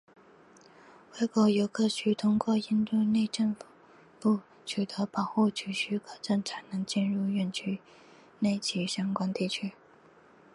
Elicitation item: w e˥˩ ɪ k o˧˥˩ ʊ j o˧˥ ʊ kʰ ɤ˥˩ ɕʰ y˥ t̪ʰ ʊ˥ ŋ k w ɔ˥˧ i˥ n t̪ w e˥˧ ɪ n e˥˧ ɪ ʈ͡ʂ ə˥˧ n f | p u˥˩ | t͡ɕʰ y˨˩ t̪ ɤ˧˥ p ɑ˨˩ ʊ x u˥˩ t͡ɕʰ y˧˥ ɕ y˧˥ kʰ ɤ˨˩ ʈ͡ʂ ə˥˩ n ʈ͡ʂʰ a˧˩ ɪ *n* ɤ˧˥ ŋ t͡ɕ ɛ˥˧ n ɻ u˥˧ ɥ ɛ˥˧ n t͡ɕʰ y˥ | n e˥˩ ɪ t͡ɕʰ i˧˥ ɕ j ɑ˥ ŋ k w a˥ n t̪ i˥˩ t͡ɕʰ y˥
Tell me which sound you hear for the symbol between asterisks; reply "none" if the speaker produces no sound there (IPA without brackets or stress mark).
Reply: n